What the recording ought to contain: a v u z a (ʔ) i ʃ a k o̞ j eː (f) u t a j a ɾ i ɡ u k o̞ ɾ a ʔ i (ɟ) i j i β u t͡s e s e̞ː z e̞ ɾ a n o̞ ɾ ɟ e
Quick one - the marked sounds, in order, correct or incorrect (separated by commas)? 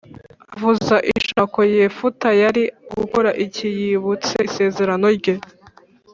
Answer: correct, correct, incorrect